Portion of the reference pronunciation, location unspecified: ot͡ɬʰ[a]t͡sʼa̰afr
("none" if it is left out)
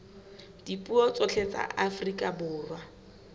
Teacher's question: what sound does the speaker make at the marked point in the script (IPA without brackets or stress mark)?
e